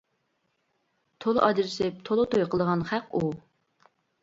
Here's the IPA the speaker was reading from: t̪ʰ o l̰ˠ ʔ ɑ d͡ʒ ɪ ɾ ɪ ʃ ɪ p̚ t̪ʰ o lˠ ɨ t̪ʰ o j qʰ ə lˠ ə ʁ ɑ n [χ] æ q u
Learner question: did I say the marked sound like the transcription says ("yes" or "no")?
yes